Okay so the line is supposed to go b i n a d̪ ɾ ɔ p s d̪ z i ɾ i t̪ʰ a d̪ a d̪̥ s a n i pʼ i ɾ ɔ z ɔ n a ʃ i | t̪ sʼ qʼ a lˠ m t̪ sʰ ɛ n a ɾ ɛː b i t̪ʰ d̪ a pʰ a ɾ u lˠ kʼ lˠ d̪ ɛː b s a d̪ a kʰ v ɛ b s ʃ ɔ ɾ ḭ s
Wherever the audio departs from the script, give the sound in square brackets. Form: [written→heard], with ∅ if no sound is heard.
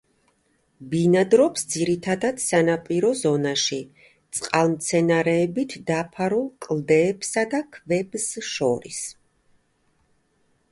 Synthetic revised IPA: b i n a d̪ ɾ ɔ p s d̪ z i ɾ i t̪ʰ a d̪ a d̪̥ s a n [i→a] pʼ i ɾ ɔ z ɔ n a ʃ i | t̪ sʼ qʼ a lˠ m t̪ sʰ ɛ n a ɾ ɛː b i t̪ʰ d̪ a pʰ a ɾ u lˠ kʼ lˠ d̪ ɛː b s a d̪ a kʰ v ɛ b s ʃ ɔ ɾ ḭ s